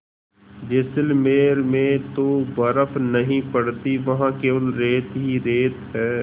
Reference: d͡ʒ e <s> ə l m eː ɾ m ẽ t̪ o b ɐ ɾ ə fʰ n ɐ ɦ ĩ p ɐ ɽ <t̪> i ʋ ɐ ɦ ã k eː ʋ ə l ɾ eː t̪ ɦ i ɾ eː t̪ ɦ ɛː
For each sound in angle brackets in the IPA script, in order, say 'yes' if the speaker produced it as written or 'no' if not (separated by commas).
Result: yes, yes